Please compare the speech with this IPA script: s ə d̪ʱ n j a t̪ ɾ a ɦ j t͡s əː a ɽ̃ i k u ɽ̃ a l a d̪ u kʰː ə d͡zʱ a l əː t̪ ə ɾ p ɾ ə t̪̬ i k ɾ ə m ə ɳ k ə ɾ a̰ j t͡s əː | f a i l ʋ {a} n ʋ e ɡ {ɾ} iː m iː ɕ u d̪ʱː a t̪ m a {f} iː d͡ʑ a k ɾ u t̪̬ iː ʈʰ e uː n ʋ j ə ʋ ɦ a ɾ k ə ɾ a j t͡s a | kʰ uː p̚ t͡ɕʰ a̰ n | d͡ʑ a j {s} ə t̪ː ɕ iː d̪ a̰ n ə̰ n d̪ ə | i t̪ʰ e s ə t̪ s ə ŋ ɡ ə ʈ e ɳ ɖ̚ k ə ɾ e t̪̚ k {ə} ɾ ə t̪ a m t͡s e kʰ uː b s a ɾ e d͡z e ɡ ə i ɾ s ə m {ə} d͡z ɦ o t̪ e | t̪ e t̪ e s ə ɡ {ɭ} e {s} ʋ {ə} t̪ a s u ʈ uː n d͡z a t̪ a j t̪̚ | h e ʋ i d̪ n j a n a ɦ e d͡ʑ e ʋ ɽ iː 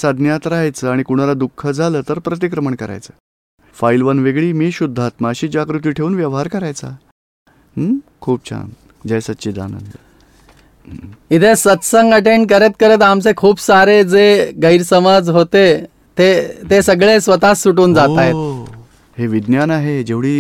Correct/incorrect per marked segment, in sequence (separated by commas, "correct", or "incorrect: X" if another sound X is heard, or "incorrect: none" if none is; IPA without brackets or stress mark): incorrect: ə, incorrect: ɭ, incorrect: ɕ, correct, correct, incorrect: a, correct, correct, correct